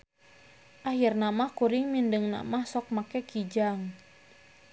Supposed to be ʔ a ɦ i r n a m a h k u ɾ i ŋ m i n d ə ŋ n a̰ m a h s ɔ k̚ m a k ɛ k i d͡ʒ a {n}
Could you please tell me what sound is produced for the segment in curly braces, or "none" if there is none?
ŋ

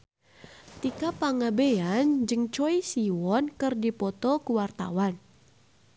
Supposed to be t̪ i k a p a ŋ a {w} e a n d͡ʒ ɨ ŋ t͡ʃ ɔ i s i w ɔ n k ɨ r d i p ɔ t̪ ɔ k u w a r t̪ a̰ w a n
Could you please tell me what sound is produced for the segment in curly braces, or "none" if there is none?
b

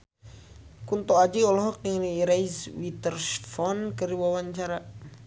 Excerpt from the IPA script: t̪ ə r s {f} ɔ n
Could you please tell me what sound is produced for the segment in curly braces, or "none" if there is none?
f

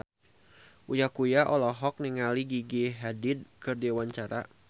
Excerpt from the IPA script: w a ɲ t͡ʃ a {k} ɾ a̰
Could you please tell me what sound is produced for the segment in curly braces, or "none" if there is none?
none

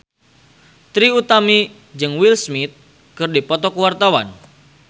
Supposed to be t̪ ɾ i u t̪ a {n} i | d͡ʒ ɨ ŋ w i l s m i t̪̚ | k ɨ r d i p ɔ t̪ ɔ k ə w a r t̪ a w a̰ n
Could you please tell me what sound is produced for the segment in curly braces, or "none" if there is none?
m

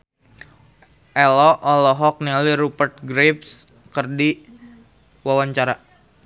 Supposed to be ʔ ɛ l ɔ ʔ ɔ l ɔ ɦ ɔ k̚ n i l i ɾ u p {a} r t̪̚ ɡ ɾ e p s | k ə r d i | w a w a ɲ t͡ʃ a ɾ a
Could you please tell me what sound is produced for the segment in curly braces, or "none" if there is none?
ə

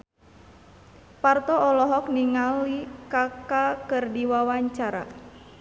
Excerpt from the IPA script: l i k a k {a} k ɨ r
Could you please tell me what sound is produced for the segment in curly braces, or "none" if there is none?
a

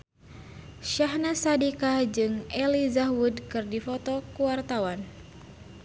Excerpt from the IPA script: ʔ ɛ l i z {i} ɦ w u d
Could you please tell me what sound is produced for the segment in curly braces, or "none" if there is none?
a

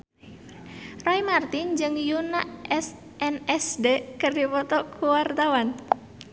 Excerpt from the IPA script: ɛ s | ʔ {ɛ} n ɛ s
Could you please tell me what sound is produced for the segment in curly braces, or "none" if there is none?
ɛ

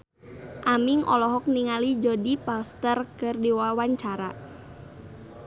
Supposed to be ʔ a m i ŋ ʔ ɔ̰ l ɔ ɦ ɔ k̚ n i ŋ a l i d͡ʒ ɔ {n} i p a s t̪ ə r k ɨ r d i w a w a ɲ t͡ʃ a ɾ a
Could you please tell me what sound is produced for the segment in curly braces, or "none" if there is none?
d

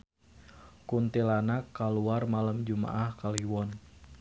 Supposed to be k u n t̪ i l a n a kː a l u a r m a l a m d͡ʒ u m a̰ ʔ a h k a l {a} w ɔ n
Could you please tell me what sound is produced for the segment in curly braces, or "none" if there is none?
i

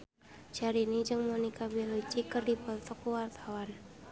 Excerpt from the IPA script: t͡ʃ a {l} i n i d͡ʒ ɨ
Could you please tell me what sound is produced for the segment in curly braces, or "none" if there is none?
ɾ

